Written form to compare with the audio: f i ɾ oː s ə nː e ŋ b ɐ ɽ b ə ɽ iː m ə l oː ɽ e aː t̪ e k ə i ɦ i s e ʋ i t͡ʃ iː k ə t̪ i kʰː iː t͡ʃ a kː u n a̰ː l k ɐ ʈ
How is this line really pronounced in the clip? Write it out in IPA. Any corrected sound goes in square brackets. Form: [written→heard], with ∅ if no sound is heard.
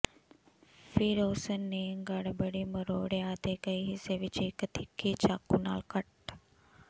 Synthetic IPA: f i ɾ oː s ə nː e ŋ [b→ɡ] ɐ ɽ b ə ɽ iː m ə [l→ɾ] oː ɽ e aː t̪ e k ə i ɦ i s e ʋ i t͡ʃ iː k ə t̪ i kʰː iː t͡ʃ a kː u n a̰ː l k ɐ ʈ